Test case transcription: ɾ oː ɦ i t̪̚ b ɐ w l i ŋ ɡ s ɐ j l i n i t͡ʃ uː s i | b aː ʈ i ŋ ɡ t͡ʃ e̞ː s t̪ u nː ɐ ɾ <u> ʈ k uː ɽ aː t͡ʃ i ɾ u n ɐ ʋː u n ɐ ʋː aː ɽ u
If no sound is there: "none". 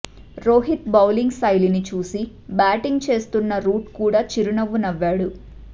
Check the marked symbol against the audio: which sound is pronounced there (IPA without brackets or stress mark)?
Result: uː